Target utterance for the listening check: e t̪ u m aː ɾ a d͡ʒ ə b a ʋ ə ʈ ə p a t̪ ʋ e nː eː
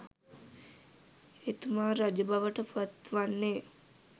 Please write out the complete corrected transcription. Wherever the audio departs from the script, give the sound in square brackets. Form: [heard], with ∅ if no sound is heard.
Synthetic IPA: e t̪ u m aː ɾ a d͡ʒ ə b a ʋ ə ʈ ə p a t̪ ʋ [a] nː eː